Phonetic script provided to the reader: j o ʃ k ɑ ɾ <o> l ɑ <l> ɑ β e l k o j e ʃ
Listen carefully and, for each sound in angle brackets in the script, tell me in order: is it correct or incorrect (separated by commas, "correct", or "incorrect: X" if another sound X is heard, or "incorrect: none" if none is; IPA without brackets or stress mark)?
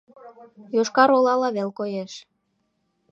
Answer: correct, correct